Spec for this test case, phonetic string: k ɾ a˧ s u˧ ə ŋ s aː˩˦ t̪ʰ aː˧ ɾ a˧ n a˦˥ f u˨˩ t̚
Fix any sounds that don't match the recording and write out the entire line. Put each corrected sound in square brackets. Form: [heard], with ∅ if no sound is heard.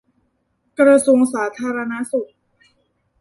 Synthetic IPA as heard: k ɾ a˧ s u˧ ə ŋ s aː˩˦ t̪ʰ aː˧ ɾ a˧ n a˦˥ [s] u˨˩ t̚